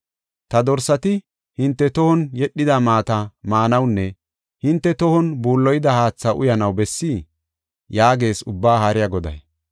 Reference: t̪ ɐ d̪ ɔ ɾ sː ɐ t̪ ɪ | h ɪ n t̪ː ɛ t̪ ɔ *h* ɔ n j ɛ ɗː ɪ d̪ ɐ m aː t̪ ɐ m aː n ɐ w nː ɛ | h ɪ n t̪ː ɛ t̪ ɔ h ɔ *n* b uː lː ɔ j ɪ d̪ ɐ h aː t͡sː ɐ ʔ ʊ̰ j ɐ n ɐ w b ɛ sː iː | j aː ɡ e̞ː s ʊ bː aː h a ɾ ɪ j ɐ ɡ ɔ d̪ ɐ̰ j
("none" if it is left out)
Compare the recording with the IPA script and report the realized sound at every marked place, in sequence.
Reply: h, n

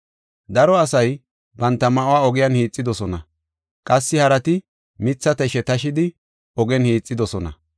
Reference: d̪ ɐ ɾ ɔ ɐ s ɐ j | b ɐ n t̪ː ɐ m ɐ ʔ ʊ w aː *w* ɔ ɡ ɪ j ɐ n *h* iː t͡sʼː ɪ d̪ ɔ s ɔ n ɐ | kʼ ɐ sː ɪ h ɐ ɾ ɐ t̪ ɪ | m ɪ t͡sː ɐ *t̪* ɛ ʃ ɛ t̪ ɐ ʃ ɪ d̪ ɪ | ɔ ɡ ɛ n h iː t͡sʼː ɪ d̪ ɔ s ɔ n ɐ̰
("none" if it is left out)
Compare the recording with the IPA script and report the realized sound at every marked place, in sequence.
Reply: none, h, t̪

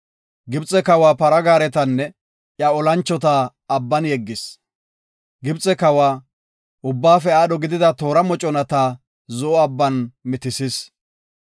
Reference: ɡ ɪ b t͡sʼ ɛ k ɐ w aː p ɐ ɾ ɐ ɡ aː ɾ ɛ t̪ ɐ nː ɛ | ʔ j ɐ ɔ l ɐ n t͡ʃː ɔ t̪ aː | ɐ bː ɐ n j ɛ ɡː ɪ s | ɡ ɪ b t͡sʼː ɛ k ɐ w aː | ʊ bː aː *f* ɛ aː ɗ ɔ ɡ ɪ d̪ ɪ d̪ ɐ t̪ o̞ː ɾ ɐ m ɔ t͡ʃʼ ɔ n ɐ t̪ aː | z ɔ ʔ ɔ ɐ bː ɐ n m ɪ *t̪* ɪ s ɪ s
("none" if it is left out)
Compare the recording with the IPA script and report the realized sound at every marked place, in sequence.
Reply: f, t̪

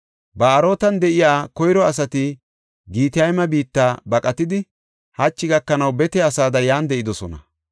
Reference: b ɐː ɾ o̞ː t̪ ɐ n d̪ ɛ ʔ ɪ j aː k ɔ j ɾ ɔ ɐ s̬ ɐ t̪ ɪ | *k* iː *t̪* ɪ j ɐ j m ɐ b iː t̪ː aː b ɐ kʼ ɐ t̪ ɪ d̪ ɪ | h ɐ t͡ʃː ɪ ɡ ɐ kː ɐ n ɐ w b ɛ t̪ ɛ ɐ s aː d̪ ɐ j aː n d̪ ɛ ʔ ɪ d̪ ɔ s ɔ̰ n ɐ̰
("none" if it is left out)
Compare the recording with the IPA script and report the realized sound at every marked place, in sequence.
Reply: ɡ, t̪

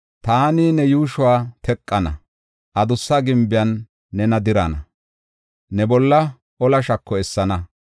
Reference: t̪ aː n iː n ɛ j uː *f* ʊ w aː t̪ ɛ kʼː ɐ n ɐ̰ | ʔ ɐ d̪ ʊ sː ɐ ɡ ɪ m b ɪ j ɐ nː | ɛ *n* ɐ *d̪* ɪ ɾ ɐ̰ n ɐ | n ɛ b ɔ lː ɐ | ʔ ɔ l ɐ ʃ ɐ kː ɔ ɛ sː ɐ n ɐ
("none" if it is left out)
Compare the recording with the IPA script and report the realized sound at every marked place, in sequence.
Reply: ʃ, n, d̪

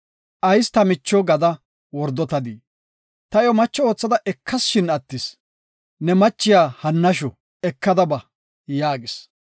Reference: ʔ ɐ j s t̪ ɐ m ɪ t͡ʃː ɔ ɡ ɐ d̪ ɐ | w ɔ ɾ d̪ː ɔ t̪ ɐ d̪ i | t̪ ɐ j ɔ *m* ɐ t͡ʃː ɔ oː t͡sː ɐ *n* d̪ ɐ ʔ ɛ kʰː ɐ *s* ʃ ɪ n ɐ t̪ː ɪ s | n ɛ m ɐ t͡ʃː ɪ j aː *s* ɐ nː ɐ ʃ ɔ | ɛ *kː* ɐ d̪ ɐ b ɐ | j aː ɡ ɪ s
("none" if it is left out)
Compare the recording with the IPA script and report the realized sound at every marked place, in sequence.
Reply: m, none, s, h, kː

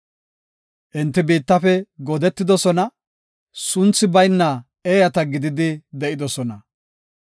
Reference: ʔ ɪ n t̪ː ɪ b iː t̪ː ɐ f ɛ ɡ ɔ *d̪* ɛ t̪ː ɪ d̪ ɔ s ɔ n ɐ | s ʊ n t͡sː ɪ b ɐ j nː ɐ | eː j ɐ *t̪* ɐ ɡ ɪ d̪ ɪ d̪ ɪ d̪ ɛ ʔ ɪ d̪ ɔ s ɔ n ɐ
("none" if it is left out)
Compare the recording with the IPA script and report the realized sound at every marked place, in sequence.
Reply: d̪, t̪

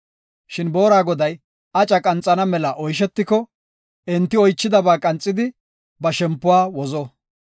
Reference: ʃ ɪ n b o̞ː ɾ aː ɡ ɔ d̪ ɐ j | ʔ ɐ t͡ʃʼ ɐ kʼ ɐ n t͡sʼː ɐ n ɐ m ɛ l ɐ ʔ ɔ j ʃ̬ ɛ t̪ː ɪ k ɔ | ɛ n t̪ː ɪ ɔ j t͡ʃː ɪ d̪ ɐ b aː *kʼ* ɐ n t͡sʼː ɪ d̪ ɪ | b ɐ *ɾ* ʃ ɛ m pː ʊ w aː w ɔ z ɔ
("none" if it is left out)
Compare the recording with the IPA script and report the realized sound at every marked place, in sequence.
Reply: kʼ, none

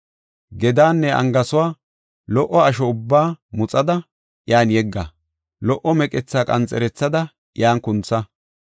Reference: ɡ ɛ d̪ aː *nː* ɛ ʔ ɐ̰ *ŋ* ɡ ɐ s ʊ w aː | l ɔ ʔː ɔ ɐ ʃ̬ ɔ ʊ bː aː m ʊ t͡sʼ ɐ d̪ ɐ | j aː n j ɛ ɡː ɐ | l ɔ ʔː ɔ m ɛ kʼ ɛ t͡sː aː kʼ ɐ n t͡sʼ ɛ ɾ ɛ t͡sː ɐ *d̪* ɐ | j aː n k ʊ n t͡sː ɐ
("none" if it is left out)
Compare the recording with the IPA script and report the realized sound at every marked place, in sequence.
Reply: nː, ŋ, d̪

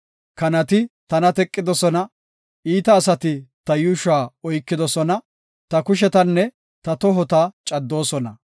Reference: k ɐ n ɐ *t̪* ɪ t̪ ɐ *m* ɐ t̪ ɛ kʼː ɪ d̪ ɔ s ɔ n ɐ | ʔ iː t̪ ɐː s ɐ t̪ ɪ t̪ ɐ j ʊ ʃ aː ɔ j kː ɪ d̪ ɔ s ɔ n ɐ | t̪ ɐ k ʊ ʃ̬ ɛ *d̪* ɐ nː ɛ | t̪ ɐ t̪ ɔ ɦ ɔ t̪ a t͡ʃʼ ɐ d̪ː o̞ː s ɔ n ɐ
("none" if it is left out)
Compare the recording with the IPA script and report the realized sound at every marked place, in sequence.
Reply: t̪, n, t̪

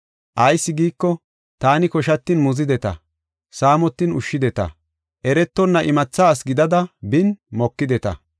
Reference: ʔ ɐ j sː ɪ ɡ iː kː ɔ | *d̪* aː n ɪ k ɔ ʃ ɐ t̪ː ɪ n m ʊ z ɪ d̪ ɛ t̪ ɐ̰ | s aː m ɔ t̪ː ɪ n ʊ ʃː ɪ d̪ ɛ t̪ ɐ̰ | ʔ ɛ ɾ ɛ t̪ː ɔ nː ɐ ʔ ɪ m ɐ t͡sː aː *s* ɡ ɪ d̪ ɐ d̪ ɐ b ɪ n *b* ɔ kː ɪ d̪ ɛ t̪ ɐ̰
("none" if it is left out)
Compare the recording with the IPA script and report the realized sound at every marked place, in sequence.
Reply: t̪, s, m

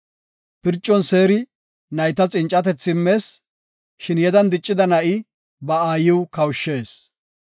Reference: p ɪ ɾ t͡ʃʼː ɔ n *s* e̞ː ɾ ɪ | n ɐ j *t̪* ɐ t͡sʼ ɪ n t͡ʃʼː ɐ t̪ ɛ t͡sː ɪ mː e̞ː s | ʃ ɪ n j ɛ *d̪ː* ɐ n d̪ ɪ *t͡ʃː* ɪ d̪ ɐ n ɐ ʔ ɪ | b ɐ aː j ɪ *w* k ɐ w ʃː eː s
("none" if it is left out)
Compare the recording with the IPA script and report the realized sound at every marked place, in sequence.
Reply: s, t̪, d̪, t͡ʃʼː, w

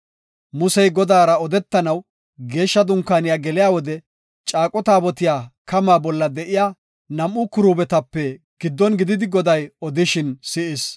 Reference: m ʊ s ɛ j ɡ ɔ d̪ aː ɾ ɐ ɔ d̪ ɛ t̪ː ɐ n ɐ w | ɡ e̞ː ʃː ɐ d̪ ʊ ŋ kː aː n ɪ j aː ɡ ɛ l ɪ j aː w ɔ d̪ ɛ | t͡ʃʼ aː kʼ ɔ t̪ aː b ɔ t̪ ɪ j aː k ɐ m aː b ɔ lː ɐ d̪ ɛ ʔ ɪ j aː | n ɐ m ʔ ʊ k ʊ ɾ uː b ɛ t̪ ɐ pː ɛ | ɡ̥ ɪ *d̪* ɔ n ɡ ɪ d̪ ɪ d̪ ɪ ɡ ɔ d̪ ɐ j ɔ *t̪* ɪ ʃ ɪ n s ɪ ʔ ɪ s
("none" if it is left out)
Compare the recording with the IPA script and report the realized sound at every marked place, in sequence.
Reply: d̪ː, d̪

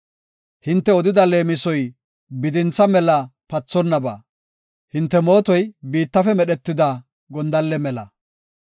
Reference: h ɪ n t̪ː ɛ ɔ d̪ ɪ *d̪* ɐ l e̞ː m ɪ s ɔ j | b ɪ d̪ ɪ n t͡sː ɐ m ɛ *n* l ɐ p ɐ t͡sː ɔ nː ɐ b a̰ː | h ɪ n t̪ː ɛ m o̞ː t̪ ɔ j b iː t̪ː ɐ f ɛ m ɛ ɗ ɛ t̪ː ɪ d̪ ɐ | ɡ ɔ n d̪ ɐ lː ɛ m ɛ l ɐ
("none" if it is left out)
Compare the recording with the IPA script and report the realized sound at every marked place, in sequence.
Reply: d̪, none

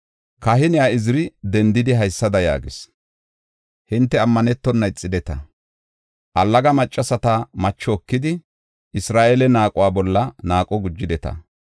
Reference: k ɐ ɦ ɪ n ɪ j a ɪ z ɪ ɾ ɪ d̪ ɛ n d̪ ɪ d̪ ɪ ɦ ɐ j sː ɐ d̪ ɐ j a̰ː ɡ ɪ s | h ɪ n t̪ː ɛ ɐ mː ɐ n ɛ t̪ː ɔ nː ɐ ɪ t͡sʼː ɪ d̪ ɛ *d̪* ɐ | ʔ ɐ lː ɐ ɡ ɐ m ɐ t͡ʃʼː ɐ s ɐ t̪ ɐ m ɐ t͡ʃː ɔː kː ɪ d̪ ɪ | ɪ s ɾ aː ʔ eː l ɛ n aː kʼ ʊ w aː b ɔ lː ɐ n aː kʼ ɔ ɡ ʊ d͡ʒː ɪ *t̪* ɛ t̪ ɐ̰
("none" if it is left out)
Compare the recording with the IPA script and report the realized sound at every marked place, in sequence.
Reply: t̪, d̪

